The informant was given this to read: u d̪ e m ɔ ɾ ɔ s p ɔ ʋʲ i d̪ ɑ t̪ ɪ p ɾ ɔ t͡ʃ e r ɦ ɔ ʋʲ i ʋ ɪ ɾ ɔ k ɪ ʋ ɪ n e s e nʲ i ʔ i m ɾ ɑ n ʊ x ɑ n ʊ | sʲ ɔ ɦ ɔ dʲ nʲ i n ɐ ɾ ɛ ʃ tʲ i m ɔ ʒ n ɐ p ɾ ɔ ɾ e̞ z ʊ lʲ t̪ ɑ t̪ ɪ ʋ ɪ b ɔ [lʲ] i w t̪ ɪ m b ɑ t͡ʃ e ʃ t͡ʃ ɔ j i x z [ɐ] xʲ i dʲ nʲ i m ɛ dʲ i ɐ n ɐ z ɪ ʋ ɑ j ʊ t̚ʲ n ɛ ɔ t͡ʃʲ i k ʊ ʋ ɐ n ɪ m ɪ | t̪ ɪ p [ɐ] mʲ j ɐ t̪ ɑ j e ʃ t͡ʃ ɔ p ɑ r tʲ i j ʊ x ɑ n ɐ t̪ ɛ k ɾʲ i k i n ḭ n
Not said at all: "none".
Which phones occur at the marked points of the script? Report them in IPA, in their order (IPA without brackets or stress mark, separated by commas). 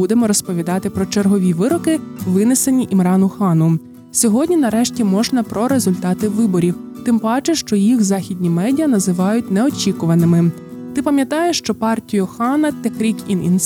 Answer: ɾʲ, ɑ, ɐ